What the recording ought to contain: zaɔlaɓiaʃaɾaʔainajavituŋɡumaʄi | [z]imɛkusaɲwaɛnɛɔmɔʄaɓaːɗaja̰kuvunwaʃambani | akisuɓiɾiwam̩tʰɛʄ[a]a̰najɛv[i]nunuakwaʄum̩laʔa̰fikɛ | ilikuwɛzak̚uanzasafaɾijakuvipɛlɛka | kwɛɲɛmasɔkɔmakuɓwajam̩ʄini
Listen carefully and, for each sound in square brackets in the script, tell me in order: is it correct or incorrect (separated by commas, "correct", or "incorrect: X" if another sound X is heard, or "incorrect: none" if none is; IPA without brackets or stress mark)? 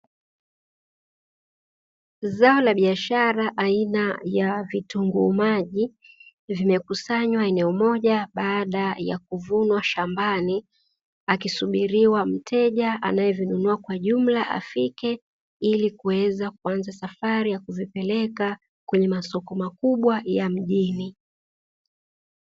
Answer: incorrect: v, correct, correct